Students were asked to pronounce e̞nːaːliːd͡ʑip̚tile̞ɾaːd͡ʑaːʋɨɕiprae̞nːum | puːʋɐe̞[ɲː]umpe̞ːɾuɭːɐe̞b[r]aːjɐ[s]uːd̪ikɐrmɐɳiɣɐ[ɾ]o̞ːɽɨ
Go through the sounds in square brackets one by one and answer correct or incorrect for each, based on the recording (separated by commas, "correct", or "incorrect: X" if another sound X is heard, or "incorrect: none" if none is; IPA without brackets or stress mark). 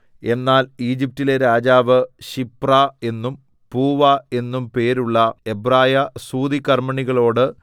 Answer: incorrect: nː, correct, correct, incorrect: ɭ